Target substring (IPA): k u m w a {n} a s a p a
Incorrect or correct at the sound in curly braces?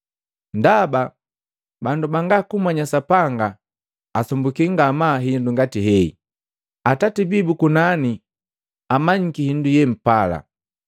incorrect: ɲ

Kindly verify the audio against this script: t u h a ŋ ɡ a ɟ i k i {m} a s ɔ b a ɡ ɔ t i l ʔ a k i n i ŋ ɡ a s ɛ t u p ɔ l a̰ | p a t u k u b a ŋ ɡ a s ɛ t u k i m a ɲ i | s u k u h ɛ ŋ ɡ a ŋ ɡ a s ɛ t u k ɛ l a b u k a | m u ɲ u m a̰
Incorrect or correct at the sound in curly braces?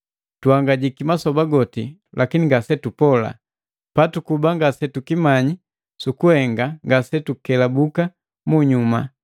correct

